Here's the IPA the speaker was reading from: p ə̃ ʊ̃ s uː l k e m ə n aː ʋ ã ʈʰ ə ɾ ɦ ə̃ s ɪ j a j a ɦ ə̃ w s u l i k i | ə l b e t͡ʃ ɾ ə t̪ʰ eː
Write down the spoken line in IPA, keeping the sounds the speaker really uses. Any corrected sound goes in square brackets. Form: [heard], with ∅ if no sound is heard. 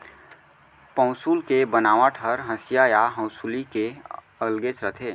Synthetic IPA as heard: p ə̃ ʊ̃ s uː l k e [b] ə n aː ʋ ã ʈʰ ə ɾ ɦ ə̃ s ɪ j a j a ɦ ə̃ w s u l i k [e] | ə l [ɡ] e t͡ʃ ɾ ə t̪ʰ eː